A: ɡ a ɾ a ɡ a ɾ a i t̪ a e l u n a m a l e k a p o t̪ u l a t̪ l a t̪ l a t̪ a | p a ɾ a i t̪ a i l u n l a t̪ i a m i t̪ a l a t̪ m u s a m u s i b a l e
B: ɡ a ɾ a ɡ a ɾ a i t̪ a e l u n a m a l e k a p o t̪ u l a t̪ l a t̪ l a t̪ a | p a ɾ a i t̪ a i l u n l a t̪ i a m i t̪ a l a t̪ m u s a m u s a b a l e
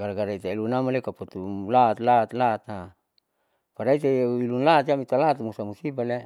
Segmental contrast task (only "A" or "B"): A